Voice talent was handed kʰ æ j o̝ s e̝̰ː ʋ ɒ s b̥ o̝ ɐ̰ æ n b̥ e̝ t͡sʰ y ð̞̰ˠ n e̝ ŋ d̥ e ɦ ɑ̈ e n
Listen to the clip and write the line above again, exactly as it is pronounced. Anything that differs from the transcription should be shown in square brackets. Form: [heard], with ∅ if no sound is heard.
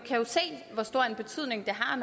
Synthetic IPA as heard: kʰ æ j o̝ s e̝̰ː ʋ ɒ s [d̥] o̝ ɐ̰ [e] n b̥ e̝ t͡sʰ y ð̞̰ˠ n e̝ ŋ d̥ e ɦ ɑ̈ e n

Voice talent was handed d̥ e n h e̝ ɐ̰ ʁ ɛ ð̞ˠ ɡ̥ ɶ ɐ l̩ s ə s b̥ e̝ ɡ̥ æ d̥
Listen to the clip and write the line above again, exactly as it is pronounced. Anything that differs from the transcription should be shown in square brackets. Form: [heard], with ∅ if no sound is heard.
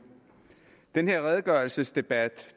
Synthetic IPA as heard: d̥ e n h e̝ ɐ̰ ʁ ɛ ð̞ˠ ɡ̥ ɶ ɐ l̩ s ə s [d̥] e̝ [b̥] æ d̥

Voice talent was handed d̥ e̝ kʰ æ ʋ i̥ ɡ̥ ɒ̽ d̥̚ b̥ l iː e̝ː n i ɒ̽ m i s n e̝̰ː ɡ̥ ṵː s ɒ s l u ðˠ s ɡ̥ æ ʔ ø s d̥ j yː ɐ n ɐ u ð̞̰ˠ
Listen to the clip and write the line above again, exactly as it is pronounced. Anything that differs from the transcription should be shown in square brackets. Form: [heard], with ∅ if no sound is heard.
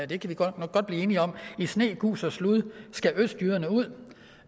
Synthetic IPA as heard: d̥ e̝ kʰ æ ʋ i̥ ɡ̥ ɒ̽ d̥̚ b̥ l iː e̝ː n i ɒ̽ m i s n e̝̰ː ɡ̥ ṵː s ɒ s l u ðˠ s ɡ̥ æ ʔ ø s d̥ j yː ɐ n [ə] u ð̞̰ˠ

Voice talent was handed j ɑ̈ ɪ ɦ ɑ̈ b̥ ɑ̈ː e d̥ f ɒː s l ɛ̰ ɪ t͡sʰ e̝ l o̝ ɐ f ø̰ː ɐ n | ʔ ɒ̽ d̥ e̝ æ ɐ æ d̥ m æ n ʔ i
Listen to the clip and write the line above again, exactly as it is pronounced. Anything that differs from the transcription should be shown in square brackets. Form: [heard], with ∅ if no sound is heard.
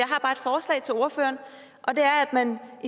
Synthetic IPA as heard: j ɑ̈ ɪ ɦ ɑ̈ b̥ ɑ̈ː e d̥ f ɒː s l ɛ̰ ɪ t͡sʰ e̝ l o̝ ɐ f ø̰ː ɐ n | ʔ ɒ̽ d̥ e̝ æ ɐ æ d̥ m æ n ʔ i

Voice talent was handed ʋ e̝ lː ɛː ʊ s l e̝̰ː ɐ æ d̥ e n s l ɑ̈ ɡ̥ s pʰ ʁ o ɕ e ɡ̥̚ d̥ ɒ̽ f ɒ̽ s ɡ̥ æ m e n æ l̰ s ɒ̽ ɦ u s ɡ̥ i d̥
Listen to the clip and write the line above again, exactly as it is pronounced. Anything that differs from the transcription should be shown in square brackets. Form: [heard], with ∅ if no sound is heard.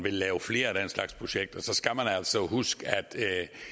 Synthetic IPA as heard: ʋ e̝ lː ɛː ʊ [f] l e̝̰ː ɐ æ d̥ e n s l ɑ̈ ɡ̥ s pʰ ʁ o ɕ e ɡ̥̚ d̥ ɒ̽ [s] ɒ̽ s ɡ̥ æ m [æ] n æ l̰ s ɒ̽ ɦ u s ɡ̥ [æ] d̥

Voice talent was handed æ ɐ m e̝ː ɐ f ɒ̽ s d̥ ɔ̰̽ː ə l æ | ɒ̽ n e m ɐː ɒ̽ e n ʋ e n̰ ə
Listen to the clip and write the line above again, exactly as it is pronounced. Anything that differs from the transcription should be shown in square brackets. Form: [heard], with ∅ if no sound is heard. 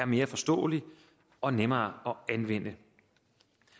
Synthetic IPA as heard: æ ɐ m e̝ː ɐ f ɒ̽ s d̥ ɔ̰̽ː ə l [i] | ɒ̽ n e m ɐː ɒ̽ [æ] n ʋ e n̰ ə

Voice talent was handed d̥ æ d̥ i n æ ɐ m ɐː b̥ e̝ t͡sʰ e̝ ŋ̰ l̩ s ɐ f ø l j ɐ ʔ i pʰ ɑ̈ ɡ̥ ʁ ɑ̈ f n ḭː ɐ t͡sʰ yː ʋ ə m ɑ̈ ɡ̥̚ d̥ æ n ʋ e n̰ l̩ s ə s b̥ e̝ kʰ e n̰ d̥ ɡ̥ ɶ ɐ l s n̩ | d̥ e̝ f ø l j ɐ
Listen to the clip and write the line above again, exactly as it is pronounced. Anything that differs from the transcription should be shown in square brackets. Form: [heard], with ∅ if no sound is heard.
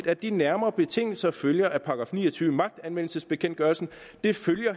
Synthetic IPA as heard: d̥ æ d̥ i n æ ɐ m ɐː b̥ e̝ t͡sʰ e̝ ŋ̰ l̩ s ɐ f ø l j ɐ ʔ [æ] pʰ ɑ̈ ɡ̥ ʁ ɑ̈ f n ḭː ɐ t͡sʰ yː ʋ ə m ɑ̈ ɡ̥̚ d̥ æ n ʋ e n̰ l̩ s ə s b̥ e̝ kʰ e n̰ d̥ ɡ̥ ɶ ɐ l s n̩ | d̥ e̝ f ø l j ɐ

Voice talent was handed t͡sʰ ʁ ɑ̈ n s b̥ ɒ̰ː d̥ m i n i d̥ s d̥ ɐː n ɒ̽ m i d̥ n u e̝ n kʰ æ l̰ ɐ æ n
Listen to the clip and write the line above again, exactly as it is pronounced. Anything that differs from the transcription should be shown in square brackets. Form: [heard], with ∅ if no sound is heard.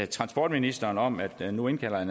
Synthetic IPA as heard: t͡sʰ ʁ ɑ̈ n s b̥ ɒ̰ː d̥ m i n i [∅] s d̥ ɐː n ɒ̽ m [æ] d̥ n u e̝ n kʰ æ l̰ ɐ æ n

